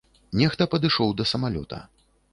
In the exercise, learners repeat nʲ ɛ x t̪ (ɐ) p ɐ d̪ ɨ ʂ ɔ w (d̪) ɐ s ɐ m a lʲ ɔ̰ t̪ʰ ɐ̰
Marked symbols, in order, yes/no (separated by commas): yes, yes